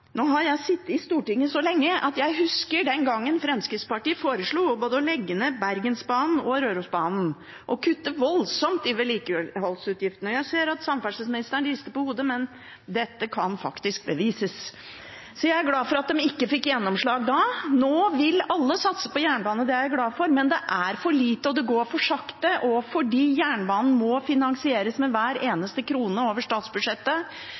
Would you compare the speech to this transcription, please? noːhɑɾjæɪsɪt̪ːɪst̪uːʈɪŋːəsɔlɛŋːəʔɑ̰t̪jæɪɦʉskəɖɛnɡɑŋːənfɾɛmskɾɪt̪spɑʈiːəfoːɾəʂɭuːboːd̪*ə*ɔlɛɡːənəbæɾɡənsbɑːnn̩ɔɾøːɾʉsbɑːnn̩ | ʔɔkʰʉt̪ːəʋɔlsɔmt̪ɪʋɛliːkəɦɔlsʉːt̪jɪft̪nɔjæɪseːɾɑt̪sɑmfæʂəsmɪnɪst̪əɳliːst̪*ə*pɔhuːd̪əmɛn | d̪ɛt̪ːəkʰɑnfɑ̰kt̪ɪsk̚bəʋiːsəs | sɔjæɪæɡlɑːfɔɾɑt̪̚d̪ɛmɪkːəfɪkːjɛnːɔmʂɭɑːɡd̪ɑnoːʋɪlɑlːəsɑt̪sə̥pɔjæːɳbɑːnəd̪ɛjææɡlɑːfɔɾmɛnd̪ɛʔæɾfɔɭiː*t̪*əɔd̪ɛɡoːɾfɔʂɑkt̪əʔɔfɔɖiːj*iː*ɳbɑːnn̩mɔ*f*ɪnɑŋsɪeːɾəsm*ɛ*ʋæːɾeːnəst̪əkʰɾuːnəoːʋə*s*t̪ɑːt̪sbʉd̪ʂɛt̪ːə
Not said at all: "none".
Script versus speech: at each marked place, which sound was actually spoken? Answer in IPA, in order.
ə, ə, t̪, æː, f, ɛ, ʂ

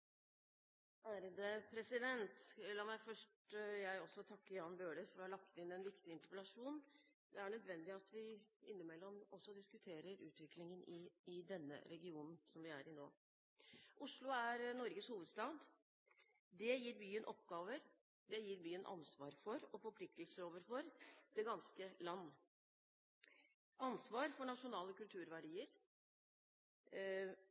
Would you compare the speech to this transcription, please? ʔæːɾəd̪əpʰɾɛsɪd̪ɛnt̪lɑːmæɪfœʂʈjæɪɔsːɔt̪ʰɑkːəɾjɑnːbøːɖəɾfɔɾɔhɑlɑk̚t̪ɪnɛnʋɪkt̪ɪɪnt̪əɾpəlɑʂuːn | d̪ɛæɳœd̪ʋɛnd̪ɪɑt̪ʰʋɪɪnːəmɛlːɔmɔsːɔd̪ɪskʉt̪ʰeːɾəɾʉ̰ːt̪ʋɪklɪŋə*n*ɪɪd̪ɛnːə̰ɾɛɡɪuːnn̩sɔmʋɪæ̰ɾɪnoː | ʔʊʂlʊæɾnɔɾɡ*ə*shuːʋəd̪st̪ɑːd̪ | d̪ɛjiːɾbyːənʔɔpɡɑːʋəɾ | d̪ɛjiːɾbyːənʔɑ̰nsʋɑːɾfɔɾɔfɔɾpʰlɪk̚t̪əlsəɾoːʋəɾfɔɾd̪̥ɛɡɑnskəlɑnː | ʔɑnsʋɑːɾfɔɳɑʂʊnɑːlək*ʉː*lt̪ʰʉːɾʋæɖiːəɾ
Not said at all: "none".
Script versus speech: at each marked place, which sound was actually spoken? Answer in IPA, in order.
n, ə, ʉ

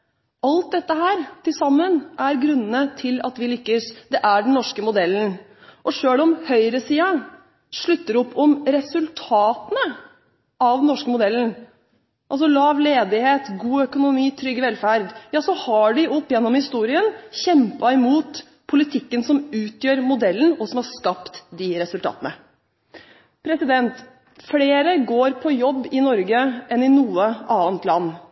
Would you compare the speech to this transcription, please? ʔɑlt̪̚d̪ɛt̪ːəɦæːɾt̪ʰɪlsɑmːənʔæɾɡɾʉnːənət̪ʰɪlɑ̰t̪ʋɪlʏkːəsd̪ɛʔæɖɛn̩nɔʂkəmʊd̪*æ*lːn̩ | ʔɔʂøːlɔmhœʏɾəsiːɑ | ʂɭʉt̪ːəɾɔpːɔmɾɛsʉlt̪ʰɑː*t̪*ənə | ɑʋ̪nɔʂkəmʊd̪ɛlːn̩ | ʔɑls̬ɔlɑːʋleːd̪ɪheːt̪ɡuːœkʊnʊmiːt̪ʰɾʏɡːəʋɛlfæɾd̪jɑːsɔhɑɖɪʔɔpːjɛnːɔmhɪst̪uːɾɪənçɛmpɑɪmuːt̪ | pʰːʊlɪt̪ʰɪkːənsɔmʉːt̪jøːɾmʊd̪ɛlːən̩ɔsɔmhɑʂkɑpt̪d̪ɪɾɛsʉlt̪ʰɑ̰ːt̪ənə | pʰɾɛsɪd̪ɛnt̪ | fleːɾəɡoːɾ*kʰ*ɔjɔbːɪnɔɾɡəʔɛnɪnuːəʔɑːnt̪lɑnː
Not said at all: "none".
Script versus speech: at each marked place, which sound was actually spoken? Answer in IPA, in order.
ɛ, t̪, pʰ

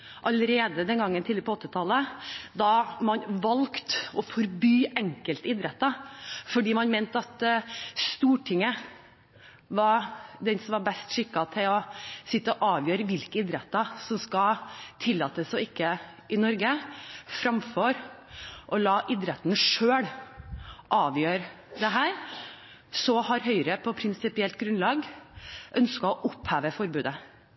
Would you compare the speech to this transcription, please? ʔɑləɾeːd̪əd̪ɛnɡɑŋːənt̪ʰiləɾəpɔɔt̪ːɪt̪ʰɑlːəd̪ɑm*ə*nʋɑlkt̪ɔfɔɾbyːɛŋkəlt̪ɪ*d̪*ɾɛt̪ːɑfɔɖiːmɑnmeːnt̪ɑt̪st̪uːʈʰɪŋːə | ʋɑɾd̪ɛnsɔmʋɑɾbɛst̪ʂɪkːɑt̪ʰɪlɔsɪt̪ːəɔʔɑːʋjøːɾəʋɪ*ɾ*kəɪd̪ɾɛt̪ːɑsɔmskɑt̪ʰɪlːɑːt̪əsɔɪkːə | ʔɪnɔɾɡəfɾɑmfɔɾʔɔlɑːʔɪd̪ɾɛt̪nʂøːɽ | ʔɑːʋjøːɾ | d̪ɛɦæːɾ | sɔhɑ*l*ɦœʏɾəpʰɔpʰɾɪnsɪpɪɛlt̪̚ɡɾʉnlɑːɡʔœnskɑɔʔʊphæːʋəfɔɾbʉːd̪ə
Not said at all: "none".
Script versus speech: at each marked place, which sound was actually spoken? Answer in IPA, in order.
ɑ, d̪, l, ɾ

